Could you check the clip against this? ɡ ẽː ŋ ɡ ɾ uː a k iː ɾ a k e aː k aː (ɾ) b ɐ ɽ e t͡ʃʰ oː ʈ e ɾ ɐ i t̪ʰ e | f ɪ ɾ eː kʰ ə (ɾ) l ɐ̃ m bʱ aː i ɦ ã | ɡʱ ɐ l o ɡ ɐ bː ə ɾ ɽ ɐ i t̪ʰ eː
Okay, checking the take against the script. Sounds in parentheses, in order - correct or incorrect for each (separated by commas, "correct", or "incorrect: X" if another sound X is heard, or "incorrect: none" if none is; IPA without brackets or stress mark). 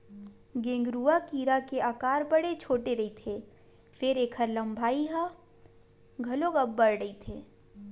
correct, correct